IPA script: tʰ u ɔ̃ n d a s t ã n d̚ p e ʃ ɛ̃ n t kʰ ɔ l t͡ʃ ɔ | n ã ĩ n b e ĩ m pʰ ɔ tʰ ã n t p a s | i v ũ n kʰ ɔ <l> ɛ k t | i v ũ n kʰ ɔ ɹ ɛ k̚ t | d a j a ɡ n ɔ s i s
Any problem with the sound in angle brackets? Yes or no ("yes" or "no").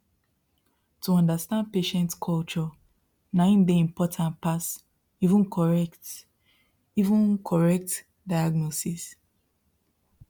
yes